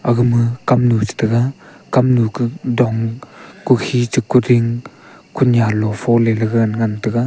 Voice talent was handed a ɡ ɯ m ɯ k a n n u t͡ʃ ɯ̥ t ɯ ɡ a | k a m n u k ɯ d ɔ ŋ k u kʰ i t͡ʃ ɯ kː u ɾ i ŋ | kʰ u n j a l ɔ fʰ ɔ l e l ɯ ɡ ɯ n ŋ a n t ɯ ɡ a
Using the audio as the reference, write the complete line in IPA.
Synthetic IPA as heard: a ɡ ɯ m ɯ k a m n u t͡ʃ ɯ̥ t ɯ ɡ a | k a m n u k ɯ d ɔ ŋ k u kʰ i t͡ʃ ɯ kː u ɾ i ŋ | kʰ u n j a l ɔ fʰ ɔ l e l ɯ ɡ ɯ n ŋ a n t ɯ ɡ a